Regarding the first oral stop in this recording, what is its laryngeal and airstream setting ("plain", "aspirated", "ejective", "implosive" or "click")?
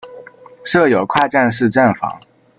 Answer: aspirated